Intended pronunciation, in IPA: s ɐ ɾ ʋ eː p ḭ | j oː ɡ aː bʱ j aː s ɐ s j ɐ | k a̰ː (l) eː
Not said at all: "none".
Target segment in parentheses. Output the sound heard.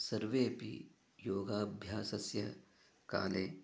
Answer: l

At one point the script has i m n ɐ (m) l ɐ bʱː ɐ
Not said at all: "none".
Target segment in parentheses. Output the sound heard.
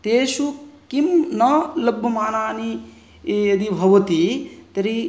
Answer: none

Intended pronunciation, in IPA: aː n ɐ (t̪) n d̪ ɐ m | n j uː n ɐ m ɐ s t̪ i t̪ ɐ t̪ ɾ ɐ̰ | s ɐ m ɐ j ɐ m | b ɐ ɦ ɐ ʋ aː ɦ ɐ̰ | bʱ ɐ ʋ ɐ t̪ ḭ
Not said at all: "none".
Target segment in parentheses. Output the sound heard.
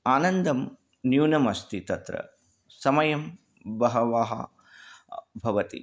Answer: none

